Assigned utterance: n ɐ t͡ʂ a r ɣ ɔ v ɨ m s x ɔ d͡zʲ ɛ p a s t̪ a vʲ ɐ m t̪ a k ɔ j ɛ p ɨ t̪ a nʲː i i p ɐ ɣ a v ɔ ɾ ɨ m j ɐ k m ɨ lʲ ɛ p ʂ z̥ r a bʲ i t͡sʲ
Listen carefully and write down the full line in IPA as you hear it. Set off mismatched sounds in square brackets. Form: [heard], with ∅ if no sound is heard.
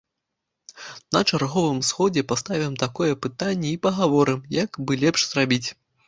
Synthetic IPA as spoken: n ɐ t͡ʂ a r ɣ ɔ v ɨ m s x ɔ d͡zʲ ɛ p a s t̪ a vʲ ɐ m t̪ a k ɔ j ɛ p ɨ t̪ a nʲː [ɛ] i p ɐ ɣ a v ɔ ɾ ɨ m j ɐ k [b] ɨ lʲ ɛ p ʂ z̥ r a bʲ i t͡sʲ

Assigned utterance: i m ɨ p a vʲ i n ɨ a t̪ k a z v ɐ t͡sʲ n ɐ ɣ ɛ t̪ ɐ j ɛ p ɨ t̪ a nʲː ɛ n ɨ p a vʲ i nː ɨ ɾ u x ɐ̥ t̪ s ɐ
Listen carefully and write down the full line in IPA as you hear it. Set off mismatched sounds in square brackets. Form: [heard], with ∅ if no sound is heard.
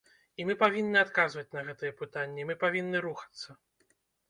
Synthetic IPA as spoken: i m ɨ p a vʲ i [nː] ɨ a t̪ k a z v ɐ t͡sʲ n ɐ ɣ ɛ t̪ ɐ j ɛ p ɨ t̪ a nʲː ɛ [m] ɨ p a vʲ i nː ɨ ɾ u x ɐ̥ t̪ [sː] ɐ

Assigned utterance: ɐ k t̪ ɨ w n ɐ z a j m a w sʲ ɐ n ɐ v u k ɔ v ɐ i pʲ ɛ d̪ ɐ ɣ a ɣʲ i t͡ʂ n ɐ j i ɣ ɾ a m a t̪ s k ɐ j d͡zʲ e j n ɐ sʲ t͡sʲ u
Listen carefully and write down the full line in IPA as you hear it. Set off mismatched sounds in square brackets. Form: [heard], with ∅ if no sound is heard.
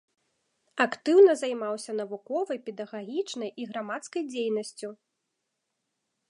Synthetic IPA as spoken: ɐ k t̪ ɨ w n ɐ z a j m a w sʲ ɐ n ɐ v u k ɔ v ɐ [j] pʲ ɛ d̪ ɐ ɣ a ɣʲ i t͡ʂ n ɐ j i ɣ ɾ a m a t̪ s k ɐ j d͡zʲ e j n ɐ sʲ t͡sʲ u

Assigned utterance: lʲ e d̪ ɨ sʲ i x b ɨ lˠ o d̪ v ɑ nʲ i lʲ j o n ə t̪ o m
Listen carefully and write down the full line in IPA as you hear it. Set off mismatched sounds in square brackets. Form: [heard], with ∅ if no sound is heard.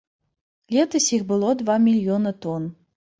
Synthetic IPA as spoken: lʲ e [t̪] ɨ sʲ i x b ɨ lˠ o d̪ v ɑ [mʲ] i lʲ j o n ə t̪ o [n]

